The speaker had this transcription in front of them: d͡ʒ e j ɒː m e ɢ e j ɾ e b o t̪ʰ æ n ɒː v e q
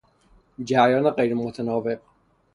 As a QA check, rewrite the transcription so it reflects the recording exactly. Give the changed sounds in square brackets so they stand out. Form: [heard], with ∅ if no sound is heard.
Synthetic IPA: d͡ʒ [æ] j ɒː [n] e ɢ e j ɾ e [m] o t̪ʰ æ n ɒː v e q